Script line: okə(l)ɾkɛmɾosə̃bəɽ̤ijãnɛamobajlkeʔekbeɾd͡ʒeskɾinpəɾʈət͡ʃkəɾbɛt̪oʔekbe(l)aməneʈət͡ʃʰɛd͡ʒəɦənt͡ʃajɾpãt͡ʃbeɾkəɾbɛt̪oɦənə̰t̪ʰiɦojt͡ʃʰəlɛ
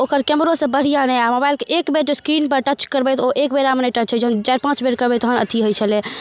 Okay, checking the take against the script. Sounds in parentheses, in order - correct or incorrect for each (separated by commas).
incorrect, incorrect